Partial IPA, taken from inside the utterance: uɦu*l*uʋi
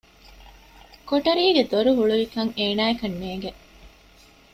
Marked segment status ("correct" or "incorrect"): incorrect